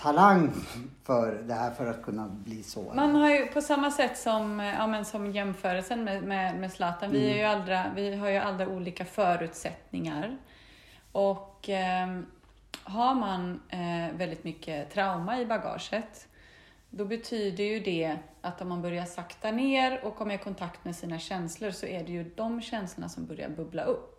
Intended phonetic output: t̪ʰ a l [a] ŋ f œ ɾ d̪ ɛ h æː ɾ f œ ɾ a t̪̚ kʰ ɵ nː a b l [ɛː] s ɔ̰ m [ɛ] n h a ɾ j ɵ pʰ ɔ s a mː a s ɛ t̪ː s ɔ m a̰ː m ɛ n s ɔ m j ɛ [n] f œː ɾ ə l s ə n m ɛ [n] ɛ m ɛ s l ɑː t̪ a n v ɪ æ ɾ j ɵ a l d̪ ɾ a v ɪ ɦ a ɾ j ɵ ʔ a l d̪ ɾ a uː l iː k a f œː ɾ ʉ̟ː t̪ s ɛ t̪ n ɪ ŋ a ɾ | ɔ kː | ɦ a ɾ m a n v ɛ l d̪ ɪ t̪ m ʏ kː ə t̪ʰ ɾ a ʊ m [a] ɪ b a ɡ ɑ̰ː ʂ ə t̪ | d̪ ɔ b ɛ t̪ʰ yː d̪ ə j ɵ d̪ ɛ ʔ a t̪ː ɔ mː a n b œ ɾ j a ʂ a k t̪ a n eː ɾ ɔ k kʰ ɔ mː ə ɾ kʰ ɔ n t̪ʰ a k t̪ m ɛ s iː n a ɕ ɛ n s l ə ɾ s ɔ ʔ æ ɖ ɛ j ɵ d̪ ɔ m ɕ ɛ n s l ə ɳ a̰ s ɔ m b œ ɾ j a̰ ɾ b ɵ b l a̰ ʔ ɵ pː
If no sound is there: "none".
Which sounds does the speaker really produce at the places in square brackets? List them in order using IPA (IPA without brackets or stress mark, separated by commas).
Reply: a, iː, a, m, m, a